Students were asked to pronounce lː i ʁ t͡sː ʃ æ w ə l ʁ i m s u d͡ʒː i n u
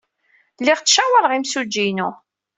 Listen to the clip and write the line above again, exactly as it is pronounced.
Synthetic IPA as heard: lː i ʁ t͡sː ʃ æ w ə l ʁ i m s u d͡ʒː i n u